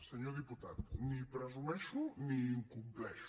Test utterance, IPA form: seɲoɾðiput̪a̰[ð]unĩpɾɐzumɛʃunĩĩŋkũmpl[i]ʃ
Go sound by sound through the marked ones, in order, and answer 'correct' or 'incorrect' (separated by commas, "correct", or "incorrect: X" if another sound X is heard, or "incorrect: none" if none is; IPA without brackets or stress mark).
correct, incorrect: ɛ